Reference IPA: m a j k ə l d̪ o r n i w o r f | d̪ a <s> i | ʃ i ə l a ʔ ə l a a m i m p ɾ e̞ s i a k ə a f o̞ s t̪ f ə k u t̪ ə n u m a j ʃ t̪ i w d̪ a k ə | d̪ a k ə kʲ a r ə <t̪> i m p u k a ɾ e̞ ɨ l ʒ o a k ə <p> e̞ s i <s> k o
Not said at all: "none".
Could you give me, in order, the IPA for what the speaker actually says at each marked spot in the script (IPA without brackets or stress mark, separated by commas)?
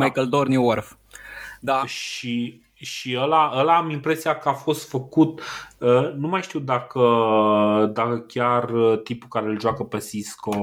ʃ, t̪, p, s